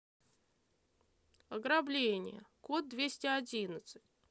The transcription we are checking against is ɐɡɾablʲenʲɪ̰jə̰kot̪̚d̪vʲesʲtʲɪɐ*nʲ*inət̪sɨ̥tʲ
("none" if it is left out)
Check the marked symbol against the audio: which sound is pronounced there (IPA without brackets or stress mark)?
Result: dʲ